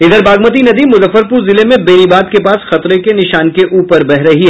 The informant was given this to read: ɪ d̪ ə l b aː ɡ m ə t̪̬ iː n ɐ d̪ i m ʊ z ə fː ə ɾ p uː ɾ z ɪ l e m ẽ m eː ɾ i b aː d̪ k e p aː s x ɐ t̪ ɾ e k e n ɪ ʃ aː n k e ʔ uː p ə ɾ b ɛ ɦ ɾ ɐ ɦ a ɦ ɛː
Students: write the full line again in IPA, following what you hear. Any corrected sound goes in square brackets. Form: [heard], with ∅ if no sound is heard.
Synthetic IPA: ɪ d̪ ə [ɾ] b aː ɡ m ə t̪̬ [i] n ɐ d̪ i m ʊ z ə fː ə ɾ p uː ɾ z ɪ l e m ẽ [b] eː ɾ i b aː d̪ k e p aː s x ɐ t̪ ɾ e k e n ɪ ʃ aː n k e ʔ uː p ə ɾ b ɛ ɦ ɾ ɐ ɦ [i] ɦ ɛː